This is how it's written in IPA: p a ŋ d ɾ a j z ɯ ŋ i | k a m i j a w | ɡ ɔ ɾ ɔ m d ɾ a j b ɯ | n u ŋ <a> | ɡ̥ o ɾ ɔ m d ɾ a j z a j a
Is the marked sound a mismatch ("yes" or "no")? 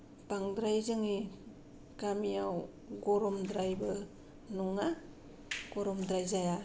no